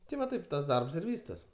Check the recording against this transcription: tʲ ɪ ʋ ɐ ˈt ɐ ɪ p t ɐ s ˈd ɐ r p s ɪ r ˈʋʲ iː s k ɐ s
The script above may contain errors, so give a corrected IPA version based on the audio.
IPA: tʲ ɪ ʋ ɐ ˈt ɐ ɪ p t ɐ s ˈd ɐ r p s ɪ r ˈʋʲ iː s t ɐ s